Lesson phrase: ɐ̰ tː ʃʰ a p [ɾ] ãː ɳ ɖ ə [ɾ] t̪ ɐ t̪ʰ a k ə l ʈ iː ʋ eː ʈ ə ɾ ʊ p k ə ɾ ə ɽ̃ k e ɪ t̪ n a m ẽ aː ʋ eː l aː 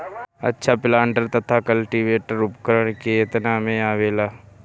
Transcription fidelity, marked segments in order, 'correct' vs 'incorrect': incorrect: l, correct

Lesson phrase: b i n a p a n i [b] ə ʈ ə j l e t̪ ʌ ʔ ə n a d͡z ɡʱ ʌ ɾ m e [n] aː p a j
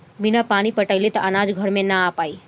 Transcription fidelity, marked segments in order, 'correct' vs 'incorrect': incorrect: p, correct

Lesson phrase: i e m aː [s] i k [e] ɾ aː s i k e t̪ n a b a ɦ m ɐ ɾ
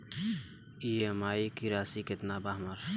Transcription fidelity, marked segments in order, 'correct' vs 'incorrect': incorrect: none, incorrect: i

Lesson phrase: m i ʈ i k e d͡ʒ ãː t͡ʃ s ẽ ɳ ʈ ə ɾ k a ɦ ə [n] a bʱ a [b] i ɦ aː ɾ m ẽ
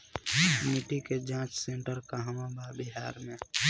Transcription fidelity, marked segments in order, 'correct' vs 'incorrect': incorrect: m, correct

